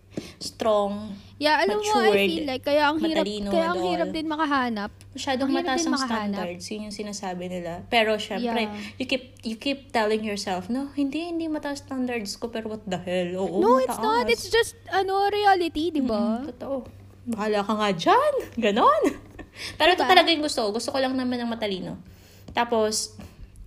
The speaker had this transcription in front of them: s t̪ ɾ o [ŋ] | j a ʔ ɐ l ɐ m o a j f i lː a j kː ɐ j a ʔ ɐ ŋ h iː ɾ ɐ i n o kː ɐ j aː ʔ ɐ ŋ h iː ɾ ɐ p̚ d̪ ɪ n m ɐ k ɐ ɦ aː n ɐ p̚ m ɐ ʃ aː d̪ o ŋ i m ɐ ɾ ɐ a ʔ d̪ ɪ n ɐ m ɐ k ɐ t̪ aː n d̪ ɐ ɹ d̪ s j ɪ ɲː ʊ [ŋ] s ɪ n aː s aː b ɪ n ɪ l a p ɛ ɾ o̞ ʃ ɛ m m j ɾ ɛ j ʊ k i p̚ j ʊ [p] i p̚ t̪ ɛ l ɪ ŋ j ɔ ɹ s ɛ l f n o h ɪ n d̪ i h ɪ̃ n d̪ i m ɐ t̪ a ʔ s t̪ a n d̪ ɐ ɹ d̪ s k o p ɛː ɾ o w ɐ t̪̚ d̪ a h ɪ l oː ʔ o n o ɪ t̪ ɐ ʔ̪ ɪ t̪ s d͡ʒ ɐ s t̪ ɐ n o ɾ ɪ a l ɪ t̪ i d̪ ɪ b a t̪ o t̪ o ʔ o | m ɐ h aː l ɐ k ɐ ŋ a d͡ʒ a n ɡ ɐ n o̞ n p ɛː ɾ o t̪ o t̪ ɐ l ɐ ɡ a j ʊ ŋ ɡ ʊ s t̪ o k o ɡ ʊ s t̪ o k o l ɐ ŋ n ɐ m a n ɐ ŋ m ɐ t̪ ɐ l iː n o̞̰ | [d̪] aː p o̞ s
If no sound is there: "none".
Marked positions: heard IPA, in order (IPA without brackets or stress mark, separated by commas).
ŋ, ŋ, k, t̪